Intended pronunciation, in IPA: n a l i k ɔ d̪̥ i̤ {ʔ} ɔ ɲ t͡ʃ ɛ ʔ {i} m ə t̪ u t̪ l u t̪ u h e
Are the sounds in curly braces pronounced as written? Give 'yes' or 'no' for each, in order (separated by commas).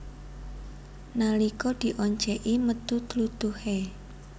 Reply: yes, yes